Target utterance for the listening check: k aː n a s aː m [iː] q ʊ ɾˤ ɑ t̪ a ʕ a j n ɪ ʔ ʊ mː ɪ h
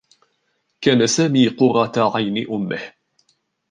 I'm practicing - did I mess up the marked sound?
no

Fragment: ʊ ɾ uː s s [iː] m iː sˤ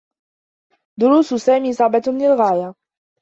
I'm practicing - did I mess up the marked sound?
yes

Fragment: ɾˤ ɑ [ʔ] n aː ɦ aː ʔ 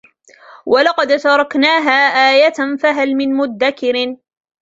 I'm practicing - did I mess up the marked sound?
yes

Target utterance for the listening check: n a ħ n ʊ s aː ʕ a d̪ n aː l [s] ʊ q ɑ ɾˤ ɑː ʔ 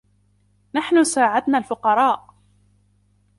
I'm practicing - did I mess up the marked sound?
yes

